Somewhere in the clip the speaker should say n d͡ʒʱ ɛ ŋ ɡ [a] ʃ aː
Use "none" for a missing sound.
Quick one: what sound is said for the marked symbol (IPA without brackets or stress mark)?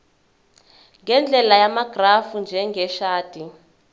ɛ